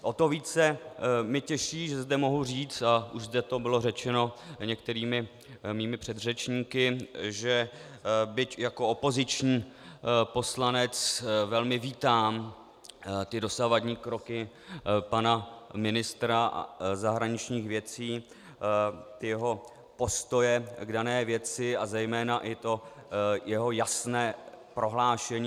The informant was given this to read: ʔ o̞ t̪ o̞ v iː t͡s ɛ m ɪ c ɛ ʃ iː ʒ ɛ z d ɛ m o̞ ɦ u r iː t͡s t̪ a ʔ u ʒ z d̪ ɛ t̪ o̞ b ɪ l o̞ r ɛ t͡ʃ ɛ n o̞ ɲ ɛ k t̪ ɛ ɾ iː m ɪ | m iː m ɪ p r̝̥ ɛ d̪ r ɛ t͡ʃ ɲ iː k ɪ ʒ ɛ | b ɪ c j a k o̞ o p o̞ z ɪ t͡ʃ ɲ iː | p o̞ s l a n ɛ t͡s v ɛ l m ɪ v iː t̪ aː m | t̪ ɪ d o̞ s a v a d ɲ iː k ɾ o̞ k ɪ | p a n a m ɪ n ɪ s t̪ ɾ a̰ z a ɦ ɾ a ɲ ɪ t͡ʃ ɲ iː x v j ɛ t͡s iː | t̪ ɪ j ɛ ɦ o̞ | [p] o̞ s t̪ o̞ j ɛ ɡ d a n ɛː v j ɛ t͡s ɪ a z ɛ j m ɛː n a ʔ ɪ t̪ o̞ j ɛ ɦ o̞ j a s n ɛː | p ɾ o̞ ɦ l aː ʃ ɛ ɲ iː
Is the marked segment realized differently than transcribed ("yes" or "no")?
no